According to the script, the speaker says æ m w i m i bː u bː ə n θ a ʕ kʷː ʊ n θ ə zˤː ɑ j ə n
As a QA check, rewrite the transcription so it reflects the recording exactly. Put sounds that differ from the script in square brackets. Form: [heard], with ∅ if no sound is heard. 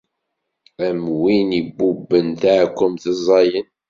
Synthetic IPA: æ m w i [n] i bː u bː ə n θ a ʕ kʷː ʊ [m] θ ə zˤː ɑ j ə n